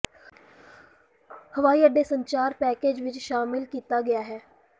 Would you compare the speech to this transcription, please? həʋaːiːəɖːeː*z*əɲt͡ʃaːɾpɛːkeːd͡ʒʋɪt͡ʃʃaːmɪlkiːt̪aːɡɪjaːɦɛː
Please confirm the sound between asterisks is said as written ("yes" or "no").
no